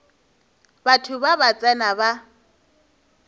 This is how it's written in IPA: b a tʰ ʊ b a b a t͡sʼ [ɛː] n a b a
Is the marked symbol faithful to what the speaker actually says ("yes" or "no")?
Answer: no